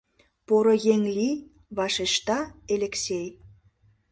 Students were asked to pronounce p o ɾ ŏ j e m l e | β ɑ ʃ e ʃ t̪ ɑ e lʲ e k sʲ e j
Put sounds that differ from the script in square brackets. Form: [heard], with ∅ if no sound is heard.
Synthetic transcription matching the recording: p o ɾ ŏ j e [ŋ] l [i] | β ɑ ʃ e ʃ t̪ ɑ e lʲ e k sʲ e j